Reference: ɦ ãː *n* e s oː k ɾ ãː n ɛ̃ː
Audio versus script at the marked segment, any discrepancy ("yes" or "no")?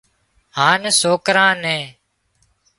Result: no